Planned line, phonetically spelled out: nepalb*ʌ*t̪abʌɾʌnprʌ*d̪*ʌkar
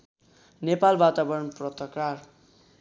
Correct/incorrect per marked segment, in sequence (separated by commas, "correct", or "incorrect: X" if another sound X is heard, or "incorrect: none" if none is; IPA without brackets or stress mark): incorrect: a, incorrect: t̪